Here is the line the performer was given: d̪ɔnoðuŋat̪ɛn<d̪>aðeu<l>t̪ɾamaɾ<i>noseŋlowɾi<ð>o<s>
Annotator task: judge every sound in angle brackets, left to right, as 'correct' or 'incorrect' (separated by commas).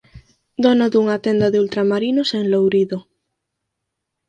correct, correct, correct, correct, incorrect